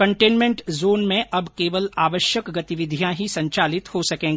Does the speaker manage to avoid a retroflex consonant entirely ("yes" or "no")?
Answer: no